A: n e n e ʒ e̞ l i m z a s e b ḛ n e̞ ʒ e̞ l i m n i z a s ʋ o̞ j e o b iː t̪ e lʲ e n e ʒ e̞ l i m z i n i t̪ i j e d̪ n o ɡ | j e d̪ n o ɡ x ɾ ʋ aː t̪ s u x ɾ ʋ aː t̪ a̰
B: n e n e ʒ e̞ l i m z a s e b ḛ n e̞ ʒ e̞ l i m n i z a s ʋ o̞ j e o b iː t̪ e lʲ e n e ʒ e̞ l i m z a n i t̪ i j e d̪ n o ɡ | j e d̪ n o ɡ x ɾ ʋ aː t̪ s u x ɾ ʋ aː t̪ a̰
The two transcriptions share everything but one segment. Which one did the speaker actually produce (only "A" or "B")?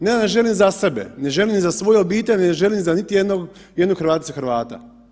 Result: B